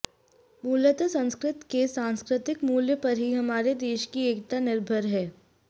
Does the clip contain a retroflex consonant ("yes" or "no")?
no